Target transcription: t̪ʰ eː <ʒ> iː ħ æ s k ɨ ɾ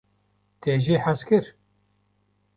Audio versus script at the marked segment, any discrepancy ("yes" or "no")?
no